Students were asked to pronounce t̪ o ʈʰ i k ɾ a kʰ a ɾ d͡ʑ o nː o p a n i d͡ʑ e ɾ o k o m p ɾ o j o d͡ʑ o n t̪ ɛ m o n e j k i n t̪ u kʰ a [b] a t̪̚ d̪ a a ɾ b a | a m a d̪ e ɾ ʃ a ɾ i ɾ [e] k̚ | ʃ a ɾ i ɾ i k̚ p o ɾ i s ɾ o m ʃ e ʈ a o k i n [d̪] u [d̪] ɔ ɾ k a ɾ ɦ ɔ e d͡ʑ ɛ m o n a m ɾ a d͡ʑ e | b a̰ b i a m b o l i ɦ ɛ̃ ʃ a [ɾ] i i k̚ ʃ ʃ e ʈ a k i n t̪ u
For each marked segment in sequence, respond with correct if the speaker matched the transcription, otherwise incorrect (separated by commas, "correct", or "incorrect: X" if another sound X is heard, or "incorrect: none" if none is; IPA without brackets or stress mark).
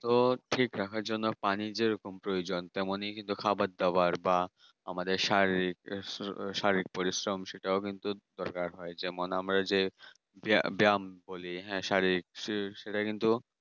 correct, incorrect: i, incorrect: t̪, correct, correct